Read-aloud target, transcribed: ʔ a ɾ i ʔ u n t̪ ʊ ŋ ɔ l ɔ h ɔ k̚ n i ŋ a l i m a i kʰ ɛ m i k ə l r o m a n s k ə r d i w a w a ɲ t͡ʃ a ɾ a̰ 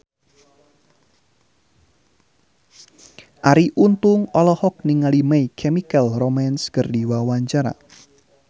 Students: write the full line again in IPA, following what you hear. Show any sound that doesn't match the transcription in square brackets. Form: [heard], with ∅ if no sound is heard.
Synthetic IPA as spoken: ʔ a ɾ i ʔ u n t̪ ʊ ŋ ɔ l ɔ h ɔ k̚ n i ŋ a l i m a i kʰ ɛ m i k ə l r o m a n s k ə r d i w a w a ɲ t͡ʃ a ɾ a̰